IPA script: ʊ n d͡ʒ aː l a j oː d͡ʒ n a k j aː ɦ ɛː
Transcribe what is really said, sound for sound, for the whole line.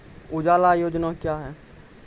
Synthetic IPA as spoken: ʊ d͡ʒ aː l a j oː d͡ʒ n a k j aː ɦ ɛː